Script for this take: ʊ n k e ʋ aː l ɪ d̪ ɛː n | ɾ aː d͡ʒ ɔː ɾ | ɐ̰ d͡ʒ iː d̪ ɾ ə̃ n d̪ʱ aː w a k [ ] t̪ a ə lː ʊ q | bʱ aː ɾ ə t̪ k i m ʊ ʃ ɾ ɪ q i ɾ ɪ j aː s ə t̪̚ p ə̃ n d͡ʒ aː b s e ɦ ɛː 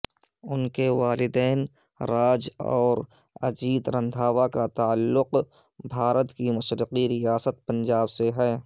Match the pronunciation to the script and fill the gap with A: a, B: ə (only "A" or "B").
A